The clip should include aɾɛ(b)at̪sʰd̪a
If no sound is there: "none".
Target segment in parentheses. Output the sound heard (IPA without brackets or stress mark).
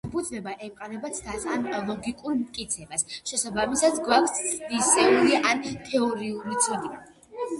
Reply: b